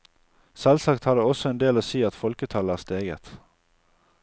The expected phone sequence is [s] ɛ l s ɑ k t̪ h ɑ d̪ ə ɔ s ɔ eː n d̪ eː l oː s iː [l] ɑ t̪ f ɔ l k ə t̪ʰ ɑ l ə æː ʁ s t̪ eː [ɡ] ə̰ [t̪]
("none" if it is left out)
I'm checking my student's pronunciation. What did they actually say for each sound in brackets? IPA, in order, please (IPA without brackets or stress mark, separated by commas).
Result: s, none, ɡ, t̪